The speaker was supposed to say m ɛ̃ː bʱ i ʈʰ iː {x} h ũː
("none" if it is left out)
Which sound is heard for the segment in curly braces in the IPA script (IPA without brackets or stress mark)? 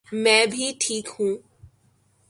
k